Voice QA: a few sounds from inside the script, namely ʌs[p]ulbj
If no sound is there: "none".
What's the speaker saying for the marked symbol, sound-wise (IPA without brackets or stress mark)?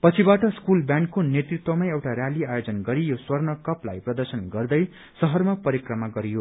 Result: k